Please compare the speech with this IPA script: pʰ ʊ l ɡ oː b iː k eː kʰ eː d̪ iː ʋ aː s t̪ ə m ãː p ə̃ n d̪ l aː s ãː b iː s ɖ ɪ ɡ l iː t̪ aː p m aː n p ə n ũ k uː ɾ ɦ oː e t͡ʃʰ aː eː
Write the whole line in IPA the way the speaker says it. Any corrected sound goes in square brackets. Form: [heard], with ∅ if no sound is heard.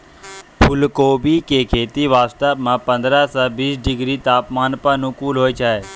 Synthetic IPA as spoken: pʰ ʊ l [k] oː b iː k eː kʰ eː [t̪] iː ʋ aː s t̪ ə m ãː p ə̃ n d̪ [ɾ] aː s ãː b iː s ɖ ɪ ɡ [ɾ] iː t̪ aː p m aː n p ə n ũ k uː [l] ɦ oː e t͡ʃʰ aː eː